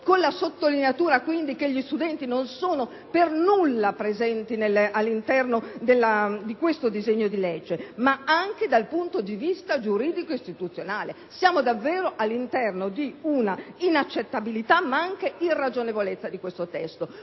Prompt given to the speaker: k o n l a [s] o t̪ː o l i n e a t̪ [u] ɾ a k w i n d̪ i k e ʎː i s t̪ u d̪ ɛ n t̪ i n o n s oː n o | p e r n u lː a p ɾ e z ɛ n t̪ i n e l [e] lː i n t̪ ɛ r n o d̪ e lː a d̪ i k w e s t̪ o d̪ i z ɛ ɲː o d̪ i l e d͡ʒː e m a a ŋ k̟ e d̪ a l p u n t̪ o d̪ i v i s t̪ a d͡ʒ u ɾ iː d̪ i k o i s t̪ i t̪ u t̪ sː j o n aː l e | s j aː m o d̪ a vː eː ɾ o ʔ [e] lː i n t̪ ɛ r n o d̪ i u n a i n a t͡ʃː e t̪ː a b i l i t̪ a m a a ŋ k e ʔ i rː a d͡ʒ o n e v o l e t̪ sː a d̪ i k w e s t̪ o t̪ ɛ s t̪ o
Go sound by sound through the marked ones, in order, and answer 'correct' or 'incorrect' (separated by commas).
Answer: correct, incorrect, incorrect, incorrect